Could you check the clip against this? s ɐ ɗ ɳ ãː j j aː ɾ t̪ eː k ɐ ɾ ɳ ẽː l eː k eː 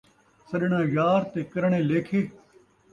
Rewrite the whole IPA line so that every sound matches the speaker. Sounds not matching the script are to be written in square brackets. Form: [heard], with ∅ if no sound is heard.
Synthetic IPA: s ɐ ɗ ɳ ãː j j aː ɾ t̪ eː k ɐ ɾ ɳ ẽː l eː [kʰ] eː